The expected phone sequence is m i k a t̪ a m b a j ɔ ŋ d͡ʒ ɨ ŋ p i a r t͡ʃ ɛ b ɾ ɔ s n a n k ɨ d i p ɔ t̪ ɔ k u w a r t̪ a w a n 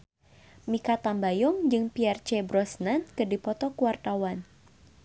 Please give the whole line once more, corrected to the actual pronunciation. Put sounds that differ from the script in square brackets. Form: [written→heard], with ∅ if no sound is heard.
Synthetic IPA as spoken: m i k a t̪ a m b a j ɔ ŋ d͡ʒ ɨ ŋ p i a r t͡ʃ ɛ b ɾ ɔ s n a n k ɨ d i p ɔ t̪ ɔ k u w a r t̪ a w a n